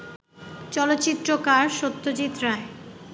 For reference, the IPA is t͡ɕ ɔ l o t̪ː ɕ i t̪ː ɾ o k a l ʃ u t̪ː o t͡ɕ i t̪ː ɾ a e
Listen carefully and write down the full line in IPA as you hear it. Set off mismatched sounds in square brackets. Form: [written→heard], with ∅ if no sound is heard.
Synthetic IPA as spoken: t͡ɕ ɔ l o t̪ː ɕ i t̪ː ɾ o k a [l→ɾ] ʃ [u→o] t̪ː o t͡ɕ i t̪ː ɾ a e